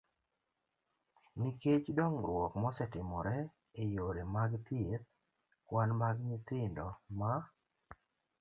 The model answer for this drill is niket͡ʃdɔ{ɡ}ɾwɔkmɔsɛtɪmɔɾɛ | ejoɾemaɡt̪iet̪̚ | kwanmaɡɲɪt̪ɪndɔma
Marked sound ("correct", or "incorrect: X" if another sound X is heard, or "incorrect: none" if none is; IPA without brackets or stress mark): incorrect: ŋ